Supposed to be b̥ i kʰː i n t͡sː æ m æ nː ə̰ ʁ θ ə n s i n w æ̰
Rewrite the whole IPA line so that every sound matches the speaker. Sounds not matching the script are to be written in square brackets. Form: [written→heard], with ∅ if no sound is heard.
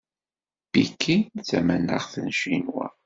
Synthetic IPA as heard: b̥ i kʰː i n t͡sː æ m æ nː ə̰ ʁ θ ə n [s→ʃ] i n w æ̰